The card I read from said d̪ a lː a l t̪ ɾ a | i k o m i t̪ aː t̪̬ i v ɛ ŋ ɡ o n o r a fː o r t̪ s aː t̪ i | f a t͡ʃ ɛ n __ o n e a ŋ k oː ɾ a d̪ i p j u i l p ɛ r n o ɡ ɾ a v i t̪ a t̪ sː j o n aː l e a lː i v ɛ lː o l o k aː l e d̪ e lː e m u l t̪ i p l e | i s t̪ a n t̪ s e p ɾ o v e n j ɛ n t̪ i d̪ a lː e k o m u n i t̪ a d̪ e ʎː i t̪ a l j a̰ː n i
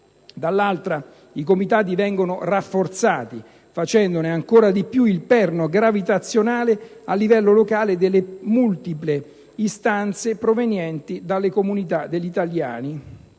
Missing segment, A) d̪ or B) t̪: A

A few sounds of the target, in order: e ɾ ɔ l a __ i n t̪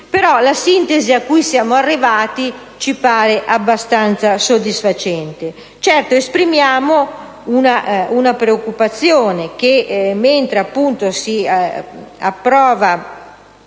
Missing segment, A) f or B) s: B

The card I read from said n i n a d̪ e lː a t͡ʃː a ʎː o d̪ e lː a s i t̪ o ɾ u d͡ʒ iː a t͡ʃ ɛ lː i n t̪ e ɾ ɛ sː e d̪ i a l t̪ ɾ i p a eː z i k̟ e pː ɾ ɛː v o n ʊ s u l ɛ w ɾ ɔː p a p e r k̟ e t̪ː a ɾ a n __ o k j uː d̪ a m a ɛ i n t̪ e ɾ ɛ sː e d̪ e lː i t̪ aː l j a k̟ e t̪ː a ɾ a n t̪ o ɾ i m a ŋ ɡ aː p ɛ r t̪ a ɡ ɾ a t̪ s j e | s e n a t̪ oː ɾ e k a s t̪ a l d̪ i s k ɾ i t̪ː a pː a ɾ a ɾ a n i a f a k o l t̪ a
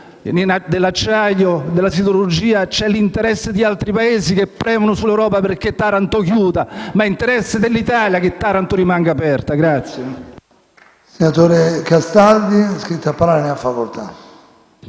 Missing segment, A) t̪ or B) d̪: A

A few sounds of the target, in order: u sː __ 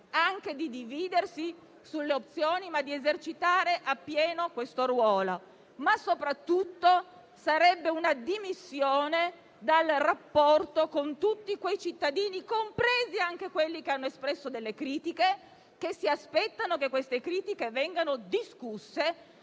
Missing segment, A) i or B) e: B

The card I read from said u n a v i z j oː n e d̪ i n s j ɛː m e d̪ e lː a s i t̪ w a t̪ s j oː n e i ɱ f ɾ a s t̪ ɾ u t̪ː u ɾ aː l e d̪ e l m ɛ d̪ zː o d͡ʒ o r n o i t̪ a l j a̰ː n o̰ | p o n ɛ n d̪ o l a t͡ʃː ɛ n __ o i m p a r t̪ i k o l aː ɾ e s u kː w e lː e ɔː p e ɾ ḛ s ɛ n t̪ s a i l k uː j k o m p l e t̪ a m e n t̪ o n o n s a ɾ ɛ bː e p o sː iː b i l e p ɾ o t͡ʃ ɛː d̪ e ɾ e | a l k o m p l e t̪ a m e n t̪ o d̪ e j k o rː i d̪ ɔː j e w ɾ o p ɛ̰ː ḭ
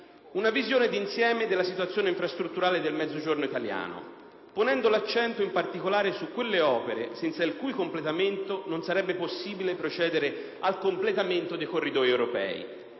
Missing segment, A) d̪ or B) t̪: B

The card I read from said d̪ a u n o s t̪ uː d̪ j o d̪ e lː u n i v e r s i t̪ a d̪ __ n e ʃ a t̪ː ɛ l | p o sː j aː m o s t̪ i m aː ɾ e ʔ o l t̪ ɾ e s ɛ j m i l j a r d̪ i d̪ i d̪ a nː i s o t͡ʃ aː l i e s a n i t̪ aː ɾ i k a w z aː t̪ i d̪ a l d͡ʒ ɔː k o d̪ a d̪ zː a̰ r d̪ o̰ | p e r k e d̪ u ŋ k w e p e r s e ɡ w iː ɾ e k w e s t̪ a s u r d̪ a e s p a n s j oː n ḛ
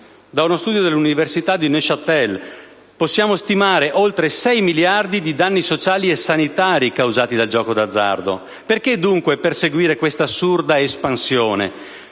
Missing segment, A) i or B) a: A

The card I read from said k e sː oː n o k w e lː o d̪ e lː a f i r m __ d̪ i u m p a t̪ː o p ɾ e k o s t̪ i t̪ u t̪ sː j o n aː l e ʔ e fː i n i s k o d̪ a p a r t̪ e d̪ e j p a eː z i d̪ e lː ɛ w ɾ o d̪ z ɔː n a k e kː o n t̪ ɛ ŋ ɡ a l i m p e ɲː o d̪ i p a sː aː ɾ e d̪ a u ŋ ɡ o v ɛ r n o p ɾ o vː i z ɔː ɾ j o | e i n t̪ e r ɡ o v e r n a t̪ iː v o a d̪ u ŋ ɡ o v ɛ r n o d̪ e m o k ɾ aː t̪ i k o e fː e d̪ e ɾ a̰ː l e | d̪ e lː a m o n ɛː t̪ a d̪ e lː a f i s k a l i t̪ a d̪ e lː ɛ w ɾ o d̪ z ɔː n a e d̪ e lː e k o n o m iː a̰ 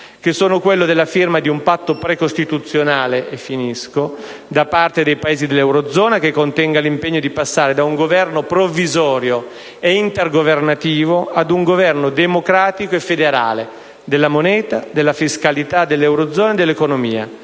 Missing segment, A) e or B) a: B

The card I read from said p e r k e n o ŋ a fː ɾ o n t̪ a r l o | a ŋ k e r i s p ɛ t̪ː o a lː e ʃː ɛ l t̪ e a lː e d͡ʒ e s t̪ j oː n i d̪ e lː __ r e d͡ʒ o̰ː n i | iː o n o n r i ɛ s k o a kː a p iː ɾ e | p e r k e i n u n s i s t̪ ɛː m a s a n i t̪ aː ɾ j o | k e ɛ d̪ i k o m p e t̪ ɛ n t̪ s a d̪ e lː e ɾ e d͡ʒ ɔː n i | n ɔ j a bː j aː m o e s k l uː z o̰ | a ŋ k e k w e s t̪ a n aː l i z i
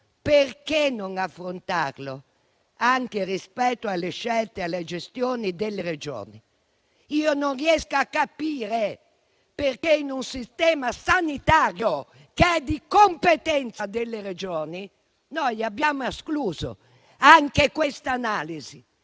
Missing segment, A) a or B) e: B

